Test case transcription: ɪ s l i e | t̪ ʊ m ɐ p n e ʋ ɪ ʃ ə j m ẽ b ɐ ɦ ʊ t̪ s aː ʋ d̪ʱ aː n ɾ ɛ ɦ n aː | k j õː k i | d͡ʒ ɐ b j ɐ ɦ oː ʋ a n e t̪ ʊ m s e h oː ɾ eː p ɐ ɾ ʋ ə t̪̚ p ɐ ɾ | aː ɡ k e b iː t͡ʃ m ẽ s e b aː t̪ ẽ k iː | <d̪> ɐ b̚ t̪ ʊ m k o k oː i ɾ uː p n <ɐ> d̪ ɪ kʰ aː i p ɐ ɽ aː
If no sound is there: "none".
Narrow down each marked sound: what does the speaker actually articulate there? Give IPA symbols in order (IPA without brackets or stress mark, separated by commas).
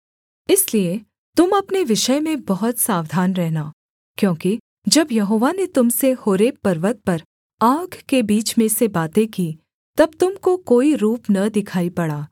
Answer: t̪, ɐ